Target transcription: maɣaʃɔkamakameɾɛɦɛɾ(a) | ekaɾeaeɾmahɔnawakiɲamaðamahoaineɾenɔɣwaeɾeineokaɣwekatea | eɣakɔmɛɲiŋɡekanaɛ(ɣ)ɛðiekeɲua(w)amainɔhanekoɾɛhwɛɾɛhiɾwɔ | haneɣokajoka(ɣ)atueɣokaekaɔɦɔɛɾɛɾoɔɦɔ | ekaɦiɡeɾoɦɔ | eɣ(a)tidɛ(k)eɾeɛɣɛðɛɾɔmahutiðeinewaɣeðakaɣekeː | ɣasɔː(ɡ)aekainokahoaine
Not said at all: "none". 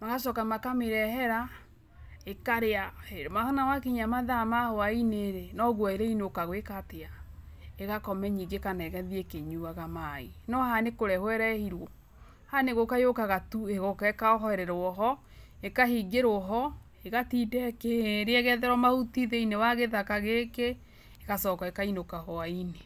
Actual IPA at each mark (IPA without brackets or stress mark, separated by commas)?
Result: a, ɣ, ɣ, ɣ, a, k, k